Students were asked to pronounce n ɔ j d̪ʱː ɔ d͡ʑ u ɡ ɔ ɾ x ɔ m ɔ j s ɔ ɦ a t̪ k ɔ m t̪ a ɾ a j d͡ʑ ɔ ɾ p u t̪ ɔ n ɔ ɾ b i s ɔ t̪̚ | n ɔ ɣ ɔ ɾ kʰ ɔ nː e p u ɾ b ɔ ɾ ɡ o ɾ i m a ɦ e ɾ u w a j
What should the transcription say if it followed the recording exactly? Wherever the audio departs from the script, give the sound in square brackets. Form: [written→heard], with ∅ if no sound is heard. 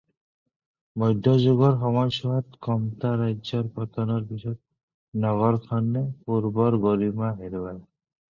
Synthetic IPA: [n→m] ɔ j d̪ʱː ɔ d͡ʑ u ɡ ɔ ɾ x ɔ m ɔ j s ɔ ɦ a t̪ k ɔ m t̪ a ɾ a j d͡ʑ ɔ ɾ p [u→ɔ] t̪ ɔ n ɔ ɾ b i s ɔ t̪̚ | n ɔ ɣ ɔ ɾ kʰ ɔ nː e p u ɾ b ɔ ɾ ɡ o ɾ i m a ɦ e ɾ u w a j